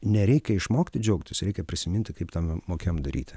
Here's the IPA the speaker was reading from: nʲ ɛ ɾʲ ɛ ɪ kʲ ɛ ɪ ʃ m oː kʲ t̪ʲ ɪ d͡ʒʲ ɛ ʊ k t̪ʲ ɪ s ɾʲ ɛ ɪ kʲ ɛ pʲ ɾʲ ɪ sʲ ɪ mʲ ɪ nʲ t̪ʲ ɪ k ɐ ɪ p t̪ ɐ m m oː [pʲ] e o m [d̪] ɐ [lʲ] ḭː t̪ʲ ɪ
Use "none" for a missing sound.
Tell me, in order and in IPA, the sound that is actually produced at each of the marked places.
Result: kʲ, d̪, ɾʲ

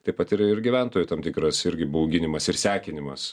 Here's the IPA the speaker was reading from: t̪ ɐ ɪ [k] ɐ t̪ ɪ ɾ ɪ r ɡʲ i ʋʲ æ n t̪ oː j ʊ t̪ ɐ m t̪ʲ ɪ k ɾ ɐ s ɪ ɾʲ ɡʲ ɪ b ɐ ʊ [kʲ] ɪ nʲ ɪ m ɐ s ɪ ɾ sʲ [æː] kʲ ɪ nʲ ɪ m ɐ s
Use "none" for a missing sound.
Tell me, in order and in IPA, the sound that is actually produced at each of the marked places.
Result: p, ɡʲ, æː

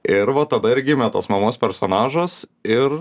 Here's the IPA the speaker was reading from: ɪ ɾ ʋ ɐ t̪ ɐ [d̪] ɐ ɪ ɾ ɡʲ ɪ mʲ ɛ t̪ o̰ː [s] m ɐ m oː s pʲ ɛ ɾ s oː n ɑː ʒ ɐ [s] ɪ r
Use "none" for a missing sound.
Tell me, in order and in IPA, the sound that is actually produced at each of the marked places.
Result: d̪, s, s

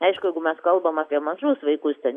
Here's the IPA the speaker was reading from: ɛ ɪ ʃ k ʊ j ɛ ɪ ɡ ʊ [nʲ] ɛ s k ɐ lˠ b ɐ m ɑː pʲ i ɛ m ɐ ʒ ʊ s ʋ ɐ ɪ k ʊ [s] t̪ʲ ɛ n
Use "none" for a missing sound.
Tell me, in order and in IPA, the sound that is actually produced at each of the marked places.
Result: mʲ, s

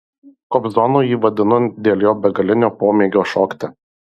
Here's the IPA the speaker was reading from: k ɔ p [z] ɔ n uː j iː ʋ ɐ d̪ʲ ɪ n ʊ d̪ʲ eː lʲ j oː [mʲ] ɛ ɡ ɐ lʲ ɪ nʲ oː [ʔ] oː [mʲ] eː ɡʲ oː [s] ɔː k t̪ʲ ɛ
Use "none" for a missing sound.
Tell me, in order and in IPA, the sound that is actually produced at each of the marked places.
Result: z, bʲ, p, mʲ, ʃ

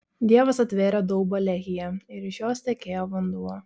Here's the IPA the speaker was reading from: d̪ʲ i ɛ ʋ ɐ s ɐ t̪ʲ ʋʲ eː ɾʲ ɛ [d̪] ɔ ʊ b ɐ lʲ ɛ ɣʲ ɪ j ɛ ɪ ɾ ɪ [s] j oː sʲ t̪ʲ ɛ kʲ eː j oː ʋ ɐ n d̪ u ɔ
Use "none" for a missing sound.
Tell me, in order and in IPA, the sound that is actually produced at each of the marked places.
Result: d̪, ʃ

